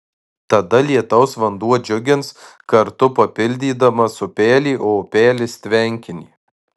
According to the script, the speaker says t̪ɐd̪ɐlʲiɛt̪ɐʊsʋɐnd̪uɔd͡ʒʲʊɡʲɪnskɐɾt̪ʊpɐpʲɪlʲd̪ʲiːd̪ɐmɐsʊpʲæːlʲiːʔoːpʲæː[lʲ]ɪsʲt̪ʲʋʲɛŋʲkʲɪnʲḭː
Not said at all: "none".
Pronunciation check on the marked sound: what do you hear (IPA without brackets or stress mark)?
lʲ